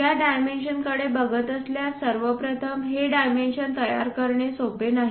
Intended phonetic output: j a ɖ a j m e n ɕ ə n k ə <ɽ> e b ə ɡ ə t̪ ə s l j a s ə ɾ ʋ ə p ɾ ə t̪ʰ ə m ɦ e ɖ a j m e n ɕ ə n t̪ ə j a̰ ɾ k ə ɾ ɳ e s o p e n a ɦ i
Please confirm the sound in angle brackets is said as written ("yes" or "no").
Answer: yes